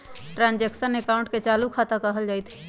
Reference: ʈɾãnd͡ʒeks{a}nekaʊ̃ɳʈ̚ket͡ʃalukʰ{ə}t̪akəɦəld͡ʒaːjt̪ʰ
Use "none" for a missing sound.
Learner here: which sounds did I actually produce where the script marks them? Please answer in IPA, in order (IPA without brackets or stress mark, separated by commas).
ə, a